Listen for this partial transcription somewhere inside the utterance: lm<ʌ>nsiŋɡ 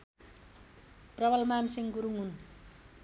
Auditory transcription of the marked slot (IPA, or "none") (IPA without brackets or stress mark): a